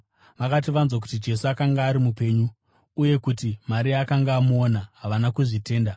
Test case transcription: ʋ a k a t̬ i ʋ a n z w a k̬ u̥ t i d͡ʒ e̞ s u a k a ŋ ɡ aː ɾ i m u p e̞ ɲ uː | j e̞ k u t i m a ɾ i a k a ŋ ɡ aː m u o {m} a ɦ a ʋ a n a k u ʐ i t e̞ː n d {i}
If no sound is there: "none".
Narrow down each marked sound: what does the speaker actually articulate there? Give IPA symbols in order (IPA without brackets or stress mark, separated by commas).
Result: n, a